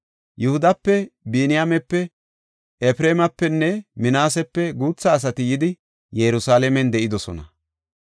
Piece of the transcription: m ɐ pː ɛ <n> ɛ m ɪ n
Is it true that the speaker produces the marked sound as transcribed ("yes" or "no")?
no